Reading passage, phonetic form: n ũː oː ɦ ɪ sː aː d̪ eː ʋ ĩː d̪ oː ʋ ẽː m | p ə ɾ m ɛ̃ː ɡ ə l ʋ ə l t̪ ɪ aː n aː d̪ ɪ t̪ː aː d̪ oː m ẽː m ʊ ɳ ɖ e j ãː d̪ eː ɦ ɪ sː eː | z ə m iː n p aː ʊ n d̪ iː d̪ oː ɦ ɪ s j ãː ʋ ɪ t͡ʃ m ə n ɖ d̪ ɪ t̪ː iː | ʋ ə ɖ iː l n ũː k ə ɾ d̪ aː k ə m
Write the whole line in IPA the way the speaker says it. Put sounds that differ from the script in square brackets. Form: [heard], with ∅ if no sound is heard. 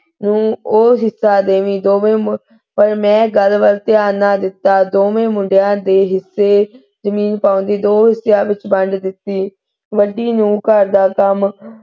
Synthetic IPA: n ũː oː ɦ ɪ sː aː d̪ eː ʋ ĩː d̪ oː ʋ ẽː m | p ə ɾ m ɛ̃ː ɡ ə l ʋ ə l t̪ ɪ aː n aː d̪ ɪ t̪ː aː d̪ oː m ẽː m ʊ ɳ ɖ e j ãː d̪ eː ɦ ɪ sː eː | z ə m iː n p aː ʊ n d̪ iː d̪ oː ɦ ɪ s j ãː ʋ ɪ t͡ʃ [b] ə [ɳ] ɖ d̪ ɪ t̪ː iː | ʋ ə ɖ iː [∅] n ũː k ə ɾ d̪ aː k ə m